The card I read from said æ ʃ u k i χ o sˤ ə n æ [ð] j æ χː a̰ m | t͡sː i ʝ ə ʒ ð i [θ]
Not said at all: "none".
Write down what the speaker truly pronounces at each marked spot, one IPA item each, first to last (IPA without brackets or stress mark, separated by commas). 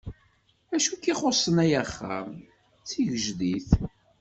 none, θ